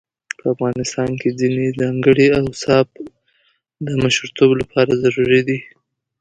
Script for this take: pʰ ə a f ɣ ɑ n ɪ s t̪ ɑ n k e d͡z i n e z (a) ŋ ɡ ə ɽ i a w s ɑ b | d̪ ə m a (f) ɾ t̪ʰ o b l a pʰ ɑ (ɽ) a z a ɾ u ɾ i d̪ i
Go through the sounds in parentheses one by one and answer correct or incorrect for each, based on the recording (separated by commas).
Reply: incorrect, incorrect, incorrect